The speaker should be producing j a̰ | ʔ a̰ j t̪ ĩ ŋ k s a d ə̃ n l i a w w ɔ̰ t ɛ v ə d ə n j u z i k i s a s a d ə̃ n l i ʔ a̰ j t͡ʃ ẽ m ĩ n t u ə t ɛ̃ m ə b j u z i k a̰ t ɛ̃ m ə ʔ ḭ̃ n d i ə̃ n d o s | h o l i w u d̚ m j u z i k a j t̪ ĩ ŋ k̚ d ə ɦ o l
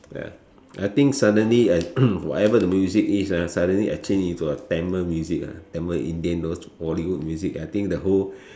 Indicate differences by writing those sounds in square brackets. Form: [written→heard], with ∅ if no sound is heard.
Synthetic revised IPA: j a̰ | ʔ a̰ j t̪ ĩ ŋ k s a d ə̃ n l i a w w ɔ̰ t ɛ v ə d ə [n→m] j u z i k i s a s a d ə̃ n l i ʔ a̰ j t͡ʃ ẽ [m→n] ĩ n t u ə t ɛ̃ m ə [b→m] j u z i k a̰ t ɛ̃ m ə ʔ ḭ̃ n d i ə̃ n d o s | h [o→ɔ] l i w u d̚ m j u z i k a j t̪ ĩ ŋ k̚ d ə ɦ o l